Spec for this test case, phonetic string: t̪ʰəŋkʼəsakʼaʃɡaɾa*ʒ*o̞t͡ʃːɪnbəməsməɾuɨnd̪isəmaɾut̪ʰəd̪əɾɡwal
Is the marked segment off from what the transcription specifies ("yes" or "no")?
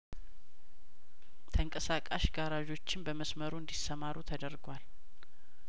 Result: no